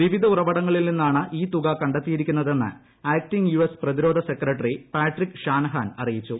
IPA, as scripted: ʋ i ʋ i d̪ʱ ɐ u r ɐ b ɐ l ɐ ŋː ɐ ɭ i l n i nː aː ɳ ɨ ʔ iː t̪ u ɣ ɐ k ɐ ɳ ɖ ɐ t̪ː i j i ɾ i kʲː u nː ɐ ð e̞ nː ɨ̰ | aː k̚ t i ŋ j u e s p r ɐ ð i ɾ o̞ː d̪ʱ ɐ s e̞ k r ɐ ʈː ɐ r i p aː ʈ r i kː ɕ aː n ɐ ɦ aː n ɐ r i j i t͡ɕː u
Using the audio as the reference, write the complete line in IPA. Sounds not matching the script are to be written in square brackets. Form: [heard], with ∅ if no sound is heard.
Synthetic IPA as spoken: ʋ i ʋ i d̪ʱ ɐ u r ɐ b ɐ [ɽ] ɐ ŋː ɐ ɭ i l n i nː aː ɳ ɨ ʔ iː t̪ u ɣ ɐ k ɐ ɳ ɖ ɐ t̪ː i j i ɾ i kʲː u nː ɐ ð e̞ nː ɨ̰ | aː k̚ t i ŋ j u e s p r ɐ ð i ɾ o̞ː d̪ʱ ɐ s e̞ k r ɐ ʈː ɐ r i p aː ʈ r i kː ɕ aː n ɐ ɦ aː n ɐ r i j i t͡ɕː u

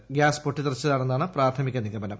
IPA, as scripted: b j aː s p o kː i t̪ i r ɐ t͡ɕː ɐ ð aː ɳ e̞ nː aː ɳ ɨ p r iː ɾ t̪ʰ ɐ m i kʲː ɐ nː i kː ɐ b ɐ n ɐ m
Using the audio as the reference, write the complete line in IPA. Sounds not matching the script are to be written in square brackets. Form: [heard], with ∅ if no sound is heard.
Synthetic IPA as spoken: [ɡ] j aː s p o [ʈː] i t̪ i r ɐ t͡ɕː ɐ ð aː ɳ e̞ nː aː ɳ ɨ p r [aː] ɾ t̪ʰ ɐ m i kʲː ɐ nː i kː ɐ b ɐ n ɐ m

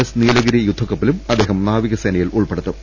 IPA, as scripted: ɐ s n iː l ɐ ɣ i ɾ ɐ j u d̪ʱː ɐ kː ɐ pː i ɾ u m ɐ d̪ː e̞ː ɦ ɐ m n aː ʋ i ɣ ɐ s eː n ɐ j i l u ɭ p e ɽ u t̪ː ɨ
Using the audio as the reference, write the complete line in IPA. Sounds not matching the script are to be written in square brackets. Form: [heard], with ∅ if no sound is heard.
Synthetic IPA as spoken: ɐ s n iː l ɐ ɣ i ɾ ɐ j u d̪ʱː ɐ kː ɐ pː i [l] u m ɐ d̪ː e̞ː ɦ ɐ m n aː ʋ i ɣ ɐ s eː n ɐ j i l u ɭ p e ɽ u t̪ː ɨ

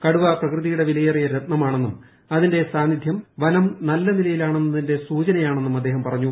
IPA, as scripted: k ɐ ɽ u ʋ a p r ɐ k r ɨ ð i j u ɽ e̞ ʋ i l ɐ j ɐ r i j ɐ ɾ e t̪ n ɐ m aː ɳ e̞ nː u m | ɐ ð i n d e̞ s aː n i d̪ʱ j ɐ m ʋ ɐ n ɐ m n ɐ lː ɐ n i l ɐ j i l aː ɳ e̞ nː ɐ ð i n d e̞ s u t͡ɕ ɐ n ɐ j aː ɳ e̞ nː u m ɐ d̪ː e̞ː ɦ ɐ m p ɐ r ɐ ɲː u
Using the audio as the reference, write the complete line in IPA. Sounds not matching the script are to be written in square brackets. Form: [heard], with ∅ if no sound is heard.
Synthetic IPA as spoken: k ɐ ɽ u ʋ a p r ɐ k r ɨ ð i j u ɽ e̞ ʋ i l ɐ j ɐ r i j ɐ ɾ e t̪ n ɐ m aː ɳ e̞ nː u m | ɐ ð i n d e̞ s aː n i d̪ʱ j ɐ m ʋ ɐ n ɐ m n ɐ lː ɐ n i l ɐ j i l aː ɳ e̞ nː ɐ ð i n d e̞ s [uː] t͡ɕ ɐ n ɐ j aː ɳ e̞ nː u m ɐ d̪ː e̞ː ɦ ɐ m p ɐ r ɐ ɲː u

